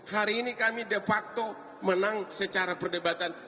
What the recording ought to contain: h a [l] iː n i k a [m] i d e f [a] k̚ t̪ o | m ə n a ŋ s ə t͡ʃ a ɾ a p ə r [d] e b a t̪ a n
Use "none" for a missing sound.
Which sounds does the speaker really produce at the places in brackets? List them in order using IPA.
ɾ, m, a, d

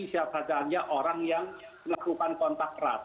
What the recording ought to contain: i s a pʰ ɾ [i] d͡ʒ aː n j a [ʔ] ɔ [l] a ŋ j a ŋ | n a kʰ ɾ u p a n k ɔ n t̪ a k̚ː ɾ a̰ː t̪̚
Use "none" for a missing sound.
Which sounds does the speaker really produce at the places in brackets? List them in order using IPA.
a, ʔ, ɾ

